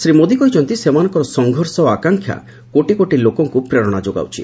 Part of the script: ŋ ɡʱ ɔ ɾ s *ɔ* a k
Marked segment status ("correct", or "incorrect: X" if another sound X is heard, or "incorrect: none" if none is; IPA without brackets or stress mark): correct